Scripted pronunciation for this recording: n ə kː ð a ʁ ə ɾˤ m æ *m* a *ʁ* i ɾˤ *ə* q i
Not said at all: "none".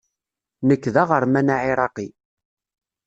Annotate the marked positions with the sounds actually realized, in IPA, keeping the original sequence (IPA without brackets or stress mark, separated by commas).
n, ʕ, ɑ